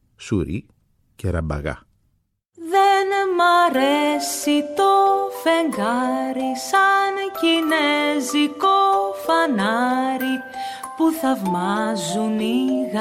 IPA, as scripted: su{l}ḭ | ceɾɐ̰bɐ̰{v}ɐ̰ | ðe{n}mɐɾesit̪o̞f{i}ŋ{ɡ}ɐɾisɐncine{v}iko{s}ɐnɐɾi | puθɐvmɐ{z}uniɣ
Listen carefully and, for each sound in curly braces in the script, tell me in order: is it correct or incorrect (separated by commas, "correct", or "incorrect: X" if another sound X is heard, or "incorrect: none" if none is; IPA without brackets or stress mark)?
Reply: incorrect: ɾ, incorrect: ɣ, correct, incorrect: e, correct, incorrect: z, incorrect: f, correct